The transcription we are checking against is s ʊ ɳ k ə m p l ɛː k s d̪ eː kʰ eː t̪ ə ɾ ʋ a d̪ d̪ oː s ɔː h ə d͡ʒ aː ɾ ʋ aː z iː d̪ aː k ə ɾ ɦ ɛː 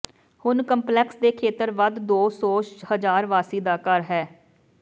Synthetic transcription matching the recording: h ʊ n k ə m p l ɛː k s d̪ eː kʰ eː t̪ ə ɾ ʋ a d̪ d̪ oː s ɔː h ə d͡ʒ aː ɾ ʋ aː s iː d̪ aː k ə ɾ ɦ ɛː

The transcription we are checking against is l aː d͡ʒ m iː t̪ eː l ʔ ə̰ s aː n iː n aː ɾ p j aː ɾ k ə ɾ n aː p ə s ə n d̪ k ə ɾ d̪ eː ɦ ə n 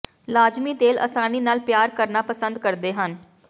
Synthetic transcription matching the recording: l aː d͡ʒ m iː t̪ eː l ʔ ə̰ s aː n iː n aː l p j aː ɾ k ə ɾ n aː p ə s ə n d̪ k ə ɾ d̪ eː ɦ ə n

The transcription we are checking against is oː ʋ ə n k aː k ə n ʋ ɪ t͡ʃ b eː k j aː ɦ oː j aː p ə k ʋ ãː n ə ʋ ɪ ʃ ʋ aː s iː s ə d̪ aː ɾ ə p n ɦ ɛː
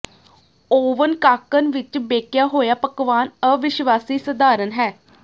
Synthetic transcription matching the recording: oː ʋ ə n k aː k ə n ʋ ɪ t͡ʃ b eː k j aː ɦ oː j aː p ə k ʋ aː n ə ʋ ɪ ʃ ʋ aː s iː s ə d̪ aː ɾ ə n ɦ ɛː

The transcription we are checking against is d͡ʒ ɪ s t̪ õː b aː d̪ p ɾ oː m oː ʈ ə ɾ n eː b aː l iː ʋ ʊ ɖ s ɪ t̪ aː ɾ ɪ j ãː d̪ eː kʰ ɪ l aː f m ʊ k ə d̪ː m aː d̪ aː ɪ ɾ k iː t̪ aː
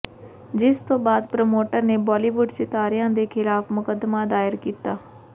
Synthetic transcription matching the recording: d͡ʒ ɪ s t̪ õː b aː d̪ p ɾ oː m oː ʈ ə ɾ n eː b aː l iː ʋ ʊ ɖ s ɪ t̪ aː ɾ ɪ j ãː d̪ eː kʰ ɪ l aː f m ʊ k ə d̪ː m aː d̪ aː ɪ ɾ k iː t̪ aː

